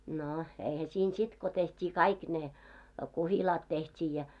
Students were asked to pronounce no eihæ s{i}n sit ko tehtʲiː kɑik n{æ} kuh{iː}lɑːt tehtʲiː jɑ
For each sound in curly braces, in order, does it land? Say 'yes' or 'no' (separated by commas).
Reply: no, no, no